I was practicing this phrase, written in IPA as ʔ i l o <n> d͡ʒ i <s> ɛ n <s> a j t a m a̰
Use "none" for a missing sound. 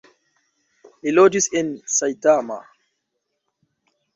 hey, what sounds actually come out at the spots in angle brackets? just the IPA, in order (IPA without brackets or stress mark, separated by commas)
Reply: none, s, s